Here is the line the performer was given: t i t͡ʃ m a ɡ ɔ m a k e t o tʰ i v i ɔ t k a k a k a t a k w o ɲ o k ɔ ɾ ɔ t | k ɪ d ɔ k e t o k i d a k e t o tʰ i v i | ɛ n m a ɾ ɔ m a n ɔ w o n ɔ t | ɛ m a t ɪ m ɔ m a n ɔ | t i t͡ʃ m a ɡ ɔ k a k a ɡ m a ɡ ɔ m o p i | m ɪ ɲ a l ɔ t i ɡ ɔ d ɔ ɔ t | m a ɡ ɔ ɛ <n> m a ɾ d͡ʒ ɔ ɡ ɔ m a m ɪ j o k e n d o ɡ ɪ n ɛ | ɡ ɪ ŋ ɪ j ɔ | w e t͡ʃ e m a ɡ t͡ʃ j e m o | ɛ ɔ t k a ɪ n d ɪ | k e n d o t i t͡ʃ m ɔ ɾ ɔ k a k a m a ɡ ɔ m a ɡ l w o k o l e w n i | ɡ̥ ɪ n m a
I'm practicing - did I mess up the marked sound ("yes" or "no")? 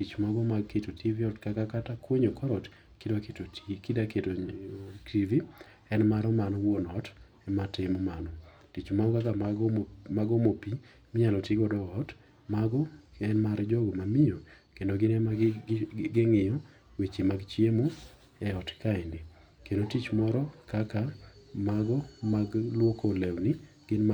no